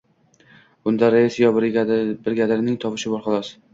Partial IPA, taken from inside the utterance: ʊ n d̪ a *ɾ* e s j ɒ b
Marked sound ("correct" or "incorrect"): correct